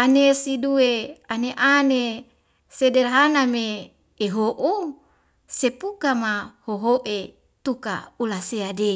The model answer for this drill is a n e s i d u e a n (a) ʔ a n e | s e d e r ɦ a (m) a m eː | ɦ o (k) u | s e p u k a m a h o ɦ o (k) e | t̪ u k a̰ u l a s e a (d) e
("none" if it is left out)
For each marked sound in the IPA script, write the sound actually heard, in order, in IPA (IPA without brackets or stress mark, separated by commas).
e, n, ʔ, ʔ, d